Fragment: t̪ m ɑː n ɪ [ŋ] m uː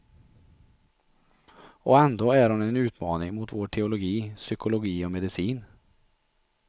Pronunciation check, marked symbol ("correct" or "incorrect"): correct